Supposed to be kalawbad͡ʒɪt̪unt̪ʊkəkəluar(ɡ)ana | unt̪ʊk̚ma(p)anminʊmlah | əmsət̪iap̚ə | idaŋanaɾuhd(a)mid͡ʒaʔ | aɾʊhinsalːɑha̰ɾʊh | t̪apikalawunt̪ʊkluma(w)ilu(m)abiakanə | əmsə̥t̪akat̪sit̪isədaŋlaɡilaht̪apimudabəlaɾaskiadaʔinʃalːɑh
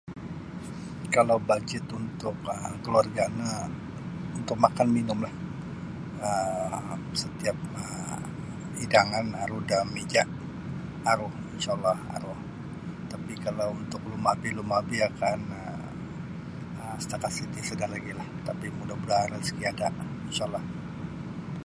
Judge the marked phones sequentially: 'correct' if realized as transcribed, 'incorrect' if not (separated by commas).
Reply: correct, incorrect, correct, incorrect, correct